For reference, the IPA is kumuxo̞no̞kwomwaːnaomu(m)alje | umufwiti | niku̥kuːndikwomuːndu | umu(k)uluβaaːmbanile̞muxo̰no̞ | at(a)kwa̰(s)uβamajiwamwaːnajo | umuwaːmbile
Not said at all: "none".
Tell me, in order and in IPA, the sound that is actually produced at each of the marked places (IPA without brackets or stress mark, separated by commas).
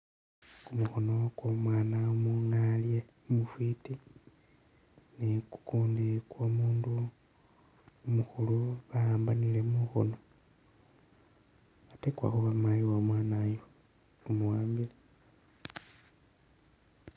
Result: ŋ, x, e, x